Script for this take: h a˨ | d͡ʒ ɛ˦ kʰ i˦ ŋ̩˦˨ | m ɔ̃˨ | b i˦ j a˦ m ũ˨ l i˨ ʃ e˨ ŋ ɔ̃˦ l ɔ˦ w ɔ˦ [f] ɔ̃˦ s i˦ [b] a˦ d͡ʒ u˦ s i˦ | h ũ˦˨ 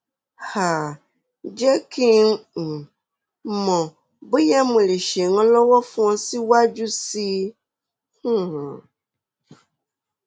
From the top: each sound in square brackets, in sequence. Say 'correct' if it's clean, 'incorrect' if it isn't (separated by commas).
correct, incorrect